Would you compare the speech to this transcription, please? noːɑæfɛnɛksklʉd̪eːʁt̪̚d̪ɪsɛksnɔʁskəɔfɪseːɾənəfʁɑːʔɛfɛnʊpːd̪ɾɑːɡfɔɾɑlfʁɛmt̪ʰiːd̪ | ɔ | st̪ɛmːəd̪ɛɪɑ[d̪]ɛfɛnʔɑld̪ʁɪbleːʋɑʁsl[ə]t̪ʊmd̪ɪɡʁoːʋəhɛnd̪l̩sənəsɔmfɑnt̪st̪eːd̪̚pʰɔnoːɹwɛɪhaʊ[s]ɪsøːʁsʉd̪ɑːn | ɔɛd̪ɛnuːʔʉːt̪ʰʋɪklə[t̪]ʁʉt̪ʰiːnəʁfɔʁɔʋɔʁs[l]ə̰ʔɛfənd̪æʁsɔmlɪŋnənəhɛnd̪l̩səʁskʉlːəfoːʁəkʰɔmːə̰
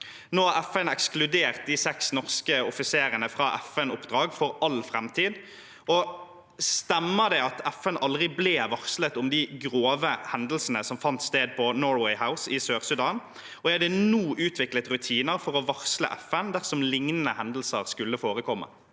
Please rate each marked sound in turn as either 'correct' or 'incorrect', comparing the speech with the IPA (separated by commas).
incorrect, correct, correct, correct, correct